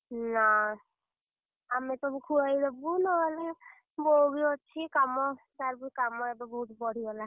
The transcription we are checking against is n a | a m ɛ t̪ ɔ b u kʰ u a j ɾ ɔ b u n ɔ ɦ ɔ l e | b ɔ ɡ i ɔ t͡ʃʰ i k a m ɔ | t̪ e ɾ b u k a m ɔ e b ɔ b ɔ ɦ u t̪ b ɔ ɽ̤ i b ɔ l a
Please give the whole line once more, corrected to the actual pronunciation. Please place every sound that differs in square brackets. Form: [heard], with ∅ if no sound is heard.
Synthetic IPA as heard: n a | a m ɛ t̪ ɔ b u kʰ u a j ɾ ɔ b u n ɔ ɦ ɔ l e | b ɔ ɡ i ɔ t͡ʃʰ i k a m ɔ | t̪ [a] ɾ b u k a m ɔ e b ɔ b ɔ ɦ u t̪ b ɔ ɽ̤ i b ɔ l a